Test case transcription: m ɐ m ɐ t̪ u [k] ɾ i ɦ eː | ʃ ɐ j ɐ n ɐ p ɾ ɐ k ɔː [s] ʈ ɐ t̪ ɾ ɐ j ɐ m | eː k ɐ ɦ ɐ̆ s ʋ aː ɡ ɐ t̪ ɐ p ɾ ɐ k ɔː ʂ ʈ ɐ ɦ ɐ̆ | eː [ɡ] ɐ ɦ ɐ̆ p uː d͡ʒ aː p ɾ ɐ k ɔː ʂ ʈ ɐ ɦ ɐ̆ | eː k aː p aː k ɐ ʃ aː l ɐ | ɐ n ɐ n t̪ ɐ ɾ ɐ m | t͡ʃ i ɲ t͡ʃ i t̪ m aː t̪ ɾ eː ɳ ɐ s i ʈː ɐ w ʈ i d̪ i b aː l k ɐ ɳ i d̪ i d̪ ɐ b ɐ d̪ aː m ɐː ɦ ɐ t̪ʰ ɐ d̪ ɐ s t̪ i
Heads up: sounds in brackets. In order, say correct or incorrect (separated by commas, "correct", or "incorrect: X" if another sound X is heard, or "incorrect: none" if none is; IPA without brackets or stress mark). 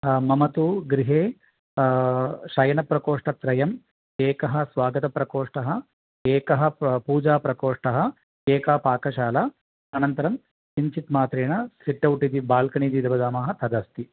incorrect: ɡ, incorrect: ʂ, incorrect: k